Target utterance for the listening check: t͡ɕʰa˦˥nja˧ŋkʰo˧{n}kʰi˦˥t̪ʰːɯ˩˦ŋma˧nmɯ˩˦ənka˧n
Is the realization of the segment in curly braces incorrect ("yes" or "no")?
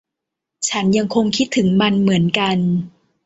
yes